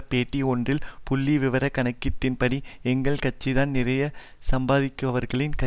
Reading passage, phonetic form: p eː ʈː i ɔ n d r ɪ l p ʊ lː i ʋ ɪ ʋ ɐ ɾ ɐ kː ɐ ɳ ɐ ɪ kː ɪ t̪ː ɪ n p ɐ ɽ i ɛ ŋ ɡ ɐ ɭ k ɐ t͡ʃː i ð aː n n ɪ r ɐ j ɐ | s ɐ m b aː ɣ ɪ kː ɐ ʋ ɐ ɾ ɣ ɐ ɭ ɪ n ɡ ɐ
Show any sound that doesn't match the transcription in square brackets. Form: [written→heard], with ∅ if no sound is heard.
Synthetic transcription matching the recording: p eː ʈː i ɔ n d r ɪ l p ʊ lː i ʋ ɪ ʋ ɐ ɾ ɐ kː ɐ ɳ ɐ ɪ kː ɪ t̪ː ɪ n p ɐ ɽ i ɛ ŋ ɡ ɐ ɭ k ɐ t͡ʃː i ð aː n n ɪ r ɐ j ɐ | s ɐ m b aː [ɣ→ð] ɪ kː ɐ ʋ ɐ ɾ ɣ ɐ ɭ ɪ n [ɡ→k] ɐ